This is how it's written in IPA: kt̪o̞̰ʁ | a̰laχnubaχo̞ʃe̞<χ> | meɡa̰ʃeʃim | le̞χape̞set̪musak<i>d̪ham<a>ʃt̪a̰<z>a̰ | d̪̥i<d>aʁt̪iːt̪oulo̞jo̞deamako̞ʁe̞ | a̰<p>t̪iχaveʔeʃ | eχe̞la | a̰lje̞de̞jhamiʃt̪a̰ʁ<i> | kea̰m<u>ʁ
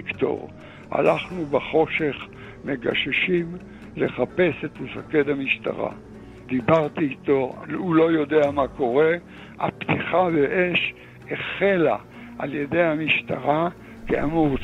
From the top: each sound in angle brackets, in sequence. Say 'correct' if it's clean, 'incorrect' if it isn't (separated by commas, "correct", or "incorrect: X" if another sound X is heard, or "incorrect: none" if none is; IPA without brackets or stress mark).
correct, incorrect: e, incorrect: i, incorrect: ʁ, incorrect: b, correct, incorrect: a, correct